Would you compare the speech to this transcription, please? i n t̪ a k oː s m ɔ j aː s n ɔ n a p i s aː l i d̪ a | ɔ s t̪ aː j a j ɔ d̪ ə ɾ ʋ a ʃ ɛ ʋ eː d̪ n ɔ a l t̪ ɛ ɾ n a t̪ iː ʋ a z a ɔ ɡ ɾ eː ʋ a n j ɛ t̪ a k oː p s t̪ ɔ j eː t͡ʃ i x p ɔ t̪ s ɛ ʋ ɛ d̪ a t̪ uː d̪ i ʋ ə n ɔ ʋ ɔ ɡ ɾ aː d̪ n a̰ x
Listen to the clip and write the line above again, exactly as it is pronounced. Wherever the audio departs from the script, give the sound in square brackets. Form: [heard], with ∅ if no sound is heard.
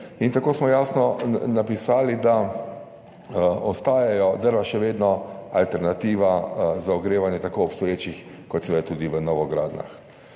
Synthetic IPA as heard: i n t̪ a k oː s m ɔ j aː s n ɔ n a p i s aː l i d̪ a | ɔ s t̪ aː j a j ɔ d̪ ə ɾ ʋ a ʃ ɛ ʋ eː d̪ n ɔ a l t̪ ɛ ɾ n a t̪ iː ʋ a z a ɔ ɡ ɾ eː ʋ a n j ɛ t̪ a k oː p s t̪ ɔ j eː t͡ʃ i x [k] ɔ t̪ s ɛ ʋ ɛ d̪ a t̪ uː d̪ i ʋ ə n ɔ ʋ ɔ ɡ ɾ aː d̪ n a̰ x